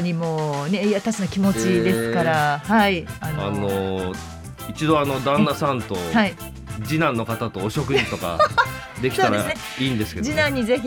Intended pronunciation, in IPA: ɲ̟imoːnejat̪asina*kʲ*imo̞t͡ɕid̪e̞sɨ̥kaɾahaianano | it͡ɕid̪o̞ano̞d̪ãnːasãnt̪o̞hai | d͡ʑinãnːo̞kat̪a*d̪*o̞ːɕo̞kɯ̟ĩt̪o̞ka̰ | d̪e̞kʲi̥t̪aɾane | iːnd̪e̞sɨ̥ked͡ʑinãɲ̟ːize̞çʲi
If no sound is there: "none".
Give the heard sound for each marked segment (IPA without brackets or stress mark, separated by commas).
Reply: kʲ, t̪